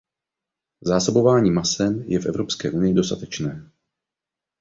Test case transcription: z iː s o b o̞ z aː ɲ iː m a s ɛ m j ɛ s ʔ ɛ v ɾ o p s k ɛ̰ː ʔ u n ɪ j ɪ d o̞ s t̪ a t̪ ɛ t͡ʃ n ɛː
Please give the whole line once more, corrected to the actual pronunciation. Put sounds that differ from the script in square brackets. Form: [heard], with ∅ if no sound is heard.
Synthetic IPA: z [aː] s o b o̞ [v] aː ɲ iː m a s ɛ m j ɛ [f] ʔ ɛ v ɾ o p s k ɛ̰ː ʔ u n ɪ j ɪ d o̞ s t̪ a t̪ ɛ t͡ʃ n ɛː